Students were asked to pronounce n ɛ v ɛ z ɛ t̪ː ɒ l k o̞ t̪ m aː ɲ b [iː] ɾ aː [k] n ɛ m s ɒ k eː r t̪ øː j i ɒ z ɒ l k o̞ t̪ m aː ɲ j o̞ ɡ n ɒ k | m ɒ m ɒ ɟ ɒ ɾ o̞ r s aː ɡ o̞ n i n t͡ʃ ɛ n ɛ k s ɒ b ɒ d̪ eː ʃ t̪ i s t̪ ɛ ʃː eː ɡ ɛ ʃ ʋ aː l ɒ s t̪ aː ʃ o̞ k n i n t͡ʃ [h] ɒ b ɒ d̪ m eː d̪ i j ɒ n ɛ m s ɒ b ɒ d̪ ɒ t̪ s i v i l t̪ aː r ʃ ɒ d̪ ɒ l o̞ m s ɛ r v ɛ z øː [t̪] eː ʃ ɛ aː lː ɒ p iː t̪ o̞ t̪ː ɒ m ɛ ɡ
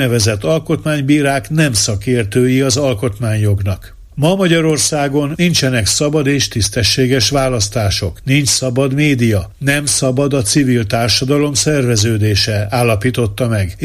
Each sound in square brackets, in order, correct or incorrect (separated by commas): correct, correct, incorrect, incorrect